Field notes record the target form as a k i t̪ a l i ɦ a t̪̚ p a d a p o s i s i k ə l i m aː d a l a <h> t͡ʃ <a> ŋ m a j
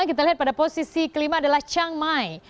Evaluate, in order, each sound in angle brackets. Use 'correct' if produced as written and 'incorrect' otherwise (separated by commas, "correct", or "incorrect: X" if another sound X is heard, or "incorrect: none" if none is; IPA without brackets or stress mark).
correct, correct